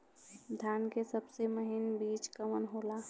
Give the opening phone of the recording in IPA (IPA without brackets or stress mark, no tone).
d̪ʱ